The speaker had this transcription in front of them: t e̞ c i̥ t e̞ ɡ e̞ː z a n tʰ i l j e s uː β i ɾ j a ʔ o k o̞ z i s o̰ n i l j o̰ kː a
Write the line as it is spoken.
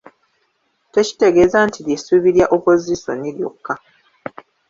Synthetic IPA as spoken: t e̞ c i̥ t e̞ ɡ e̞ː z a n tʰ i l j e s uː β i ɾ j a ʔ o p o̞ z i s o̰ n i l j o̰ kː a